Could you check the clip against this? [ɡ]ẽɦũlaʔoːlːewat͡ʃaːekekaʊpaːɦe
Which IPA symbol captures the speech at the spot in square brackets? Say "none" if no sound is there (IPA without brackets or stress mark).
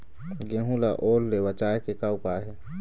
ɡ